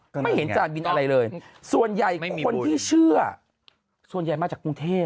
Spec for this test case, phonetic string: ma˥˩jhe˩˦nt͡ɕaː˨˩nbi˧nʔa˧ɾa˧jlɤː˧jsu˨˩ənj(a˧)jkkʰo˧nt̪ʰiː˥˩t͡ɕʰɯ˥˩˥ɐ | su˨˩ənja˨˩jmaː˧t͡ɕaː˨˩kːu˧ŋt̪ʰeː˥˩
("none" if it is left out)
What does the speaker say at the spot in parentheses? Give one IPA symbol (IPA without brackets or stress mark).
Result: a˨˩